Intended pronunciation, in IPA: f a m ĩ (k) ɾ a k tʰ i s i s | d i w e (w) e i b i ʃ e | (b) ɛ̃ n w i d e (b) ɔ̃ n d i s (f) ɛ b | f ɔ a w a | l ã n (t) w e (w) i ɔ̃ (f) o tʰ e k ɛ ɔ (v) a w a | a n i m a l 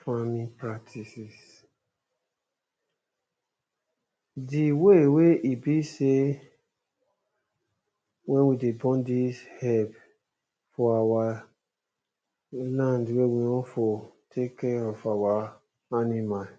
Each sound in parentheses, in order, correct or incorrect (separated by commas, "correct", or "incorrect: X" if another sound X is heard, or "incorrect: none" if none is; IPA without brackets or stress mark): incorrect: p, correct, incorrect: w, correct, incorrect: h, incorrect: d, correct, correct, incorrect: f